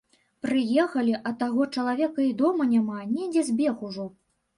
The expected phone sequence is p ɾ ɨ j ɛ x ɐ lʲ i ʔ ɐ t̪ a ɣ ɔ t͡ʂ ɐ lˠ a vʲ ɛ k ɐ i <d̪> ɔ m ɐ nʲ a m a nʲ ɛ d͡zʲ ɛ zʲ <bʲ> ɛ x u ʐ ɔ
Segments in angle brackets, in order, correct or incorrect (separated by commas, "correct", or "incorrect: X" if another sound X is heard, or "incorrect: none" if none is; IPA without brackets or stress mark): correct, correct